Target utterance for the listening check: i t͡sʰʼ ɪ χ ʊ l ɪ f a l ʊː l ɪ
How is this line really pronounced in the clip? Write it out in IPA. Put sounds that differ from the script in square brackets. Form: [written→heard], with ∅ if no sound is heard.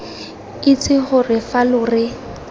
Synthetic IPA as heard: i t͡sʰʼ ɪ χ ʊ [l→r] ɪ f a l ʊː [l→r] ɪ